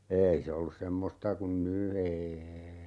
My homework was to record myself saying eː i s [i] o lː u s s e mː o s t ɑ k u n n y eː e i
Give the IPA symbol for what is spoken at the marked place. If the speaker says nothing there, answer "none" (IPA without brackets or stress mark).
e